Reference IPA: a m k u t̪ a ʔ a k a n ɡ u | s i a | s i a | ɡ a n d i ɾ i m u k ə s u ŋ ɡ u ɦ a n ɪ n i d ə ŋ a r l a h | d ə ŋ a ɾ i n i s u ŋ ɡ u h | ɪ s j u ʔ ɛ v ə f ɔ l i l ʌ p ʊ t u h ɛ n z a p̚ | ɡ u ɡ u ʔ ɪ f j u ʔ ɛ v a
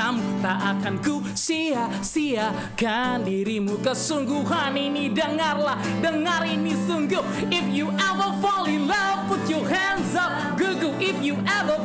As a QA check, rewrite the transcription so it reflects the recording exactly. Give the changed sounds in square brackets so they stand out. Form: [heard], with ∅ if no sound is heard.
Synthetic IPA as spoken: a m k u t̪ a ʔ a k a n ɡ u | s i a | s i a | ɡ a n d i ɾ i m u k ə s u ŋ ɡ u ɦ a n [i] n i d ə ŋ a r l a h | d ə ŋ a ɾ i n i s u ŋ ɡ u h | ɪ [f] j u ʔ ɛ v ə f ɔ l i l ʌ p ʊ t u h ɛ n z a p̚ | ɡ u ɡ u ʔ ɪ f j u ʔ ɛ v [ə]